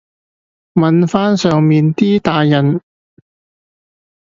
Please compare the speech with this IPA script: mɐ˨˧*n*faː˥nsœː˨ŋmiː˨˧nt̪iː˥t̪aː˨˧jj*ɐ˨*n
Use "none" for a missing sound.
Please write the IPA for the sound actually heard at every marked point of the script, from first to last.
n, ɐ˨

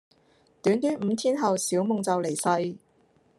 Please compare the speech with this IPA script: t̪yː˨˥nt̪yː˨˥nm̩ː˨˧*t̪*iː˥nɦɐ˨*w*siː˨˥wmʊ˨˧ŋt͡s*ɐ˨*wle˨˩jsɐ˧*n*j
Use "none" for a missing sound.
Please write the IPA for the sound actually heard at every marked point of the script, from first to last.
t̪ʰ, w, ɐ˨, none

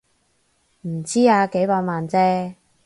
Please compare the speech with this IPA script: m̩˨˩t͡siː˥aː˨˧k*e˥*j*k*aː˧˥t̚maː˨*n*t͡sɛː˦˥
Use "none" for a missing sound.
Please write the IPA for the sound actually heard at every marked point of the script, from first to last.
e˨˥, p, n

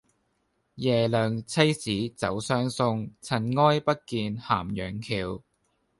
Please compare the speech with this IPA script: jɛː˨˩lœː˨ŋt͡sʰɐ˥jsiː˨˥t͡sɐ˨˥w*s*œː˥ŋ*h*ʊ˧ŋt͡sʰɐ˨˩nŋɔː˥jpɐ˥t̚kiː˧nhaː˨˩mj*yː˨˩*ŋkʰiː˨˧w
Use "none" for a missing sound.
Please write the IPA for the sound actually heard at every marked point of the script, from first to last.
s, s, œː˨˩

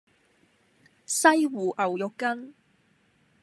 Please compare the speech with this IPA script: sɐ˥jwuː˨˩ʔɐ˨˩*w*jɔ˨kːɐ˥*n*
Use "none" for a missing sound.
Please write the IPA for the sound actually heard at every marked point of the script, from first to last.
w, n

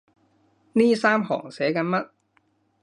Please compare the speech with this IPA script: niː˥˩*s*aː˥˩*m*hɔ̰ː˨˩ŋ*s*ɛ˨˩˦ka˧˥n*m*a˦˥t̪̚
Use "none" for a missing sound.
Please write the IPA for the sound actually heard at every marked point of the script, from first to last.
s, m, s, m

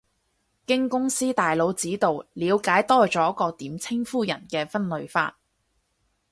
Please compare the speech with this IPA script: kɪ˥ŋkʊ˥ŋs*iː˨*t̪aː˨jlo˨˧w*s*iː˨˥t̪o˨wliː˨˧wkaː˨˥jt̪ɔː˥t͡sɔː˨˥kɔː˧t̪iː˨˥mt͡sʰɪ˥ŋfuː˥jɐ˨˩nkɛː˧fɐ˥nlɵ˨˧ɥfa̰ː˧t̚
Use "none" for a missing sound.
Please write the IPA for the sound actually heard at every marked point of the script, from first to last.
iː˥, t͡s

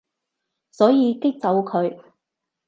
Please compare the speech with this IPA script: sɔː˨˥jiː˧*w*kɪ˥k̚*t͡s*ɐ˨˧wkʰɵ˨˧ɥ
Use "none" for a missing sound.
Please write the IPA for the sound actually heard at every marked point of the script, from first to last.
none, t͡s

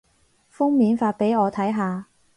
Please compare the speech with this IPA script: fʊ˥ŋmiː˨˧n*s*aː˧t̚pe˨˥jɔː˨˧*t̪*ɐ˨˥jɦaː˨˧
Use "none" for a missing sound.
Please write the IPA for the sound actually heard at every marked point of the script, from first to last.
f, t̪ʰ

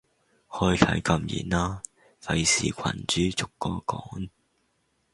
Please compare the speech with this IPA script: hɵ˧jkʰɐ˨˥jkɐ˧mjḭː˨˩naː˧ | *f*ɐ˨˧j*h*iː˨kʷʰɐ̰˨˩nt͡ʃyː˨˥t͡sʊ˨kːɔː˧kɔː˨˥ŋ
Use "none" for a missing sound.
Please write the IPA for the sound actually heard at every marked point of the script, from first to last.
f, s

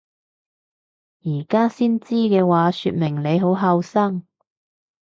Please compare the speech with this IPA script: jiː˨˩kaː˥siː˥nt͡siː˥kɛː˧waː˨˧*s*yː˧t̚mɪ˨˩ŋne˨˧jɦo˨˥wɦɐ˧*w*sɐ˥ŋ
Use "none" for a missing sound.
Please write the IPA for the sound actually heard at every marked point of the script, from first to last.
s, w

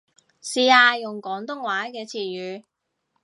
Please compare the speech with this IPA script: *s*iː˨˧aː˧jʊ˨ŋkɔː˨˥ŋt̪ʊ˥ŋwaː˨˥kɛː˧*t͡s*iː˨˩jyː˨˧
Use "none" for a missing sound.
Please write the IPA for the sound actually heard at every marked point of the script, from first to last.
s, t͡sʰ

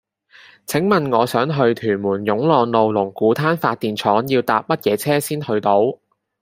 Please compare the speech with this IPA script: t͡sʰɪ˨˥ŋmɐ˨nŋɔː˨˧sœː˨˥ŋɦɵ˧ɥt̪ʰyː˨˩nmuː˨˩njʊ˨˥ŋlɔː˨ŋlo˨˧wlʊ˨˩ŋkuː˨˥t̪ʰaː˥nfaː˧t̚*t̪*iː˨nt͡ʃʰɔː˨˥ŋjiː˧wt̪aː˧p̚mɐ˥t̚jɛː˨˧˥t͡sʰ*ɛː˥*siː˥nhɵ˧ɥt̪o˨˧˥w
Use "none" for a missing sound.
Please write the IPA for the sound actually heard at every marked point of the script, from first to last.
t̪, ɛː˥

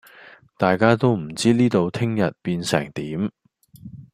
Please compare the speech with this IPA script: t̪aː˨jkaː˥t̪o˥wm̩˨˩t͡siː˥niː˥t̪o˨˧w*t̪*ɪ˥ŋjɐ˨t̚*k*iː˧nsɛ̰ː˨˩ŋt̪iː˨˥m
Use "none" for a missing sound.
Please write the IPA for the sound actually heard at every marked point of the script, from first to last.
t̪ʰ, p

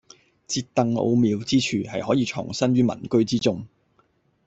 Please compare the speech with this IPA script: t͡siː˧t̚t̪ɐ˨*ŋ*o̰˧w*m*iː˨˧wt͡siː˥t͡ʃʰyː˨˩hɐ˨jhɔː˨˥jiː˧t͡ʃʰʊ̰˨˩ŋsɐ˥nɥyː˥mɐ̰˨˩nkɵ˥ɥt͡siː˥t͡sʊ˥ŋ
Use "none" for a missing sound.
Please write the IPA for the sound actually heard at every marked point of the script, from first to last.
ŋ, m

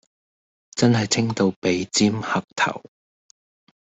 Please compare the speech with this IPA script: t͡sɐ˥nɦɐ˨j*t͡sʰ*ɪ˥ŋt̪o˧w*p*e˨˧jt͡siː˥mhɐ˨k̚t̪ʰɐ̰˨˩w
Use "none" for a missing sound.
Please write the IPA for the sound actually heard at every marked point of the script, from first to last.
t͡sʰ, p

